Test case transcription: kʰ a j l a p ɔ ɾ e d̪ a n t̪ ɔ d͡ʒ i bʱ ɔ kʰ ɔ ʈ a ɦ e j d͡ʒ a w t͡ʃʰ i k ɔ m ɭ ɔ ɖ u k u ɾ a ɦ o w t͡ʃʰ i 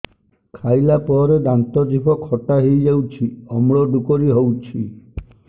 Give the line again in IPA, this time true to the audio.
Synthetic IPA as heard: kʰ a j l a p ɔ ɾ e d̪ a n t̪ ɔ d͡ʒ i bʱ ɔ kʰ ɔ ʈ a ɦ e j d͡ʒ a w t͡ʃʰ i ɔ m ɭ ɔ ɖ u k ɔ ɾ i ɦ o w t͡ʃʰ i